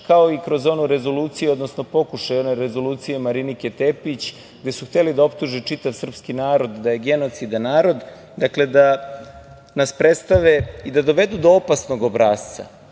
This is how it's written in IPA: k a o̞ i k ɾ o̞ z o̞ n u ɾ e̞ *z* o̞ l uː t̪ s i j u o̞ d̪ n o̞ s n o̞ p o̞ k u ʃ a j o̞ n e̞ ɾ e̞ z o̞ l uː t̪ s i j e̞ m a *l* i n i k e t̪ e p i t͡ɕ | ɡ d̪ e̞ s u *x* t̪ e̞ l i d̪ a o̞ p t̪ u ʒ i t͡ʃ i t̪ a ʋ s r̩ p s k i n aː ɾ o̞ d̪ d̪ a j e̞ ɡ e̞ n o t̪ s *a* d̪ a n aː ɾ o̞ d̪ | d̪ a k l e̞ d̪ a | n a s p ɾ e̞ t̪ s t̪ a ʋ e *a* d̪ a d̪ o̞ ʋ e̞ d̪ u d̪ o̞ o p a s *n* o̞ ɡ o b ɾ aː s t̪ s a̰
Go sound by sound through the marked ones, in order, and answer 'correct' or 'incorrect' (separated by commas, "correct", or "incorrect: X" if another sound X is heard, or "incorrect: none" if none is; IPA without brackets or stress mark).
correct, incorrect: ɾ, correct, incorrect: i, incorrect: i, correct